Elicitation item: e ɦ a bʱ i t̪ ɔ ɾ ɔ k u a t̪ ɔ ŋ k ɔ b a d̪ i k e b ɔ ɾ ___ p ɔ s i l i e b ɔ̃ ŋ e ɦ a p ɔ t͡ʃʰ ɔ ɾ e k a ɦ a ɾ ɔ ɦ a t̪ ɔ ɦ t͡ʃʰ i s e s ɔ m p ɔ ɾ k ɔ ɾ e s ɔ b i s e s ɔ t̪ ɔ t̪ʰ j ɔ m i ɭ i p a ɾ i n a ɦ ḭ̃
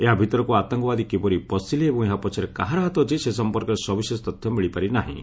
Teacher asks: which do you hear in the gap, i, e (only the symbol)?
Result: i